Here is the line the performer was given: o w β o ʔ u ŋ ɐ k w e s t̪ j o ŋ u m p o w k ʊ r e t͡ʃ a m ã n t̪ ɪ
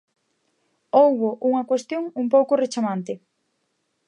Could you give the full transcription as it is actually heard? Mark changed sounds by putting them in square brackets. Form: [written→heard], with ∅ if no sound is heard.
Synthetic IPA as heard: o w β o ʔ u ŋ ɐ k w e s t̪ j o ŋ u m p o w k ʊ r e t͡ʃ a m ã n t̪ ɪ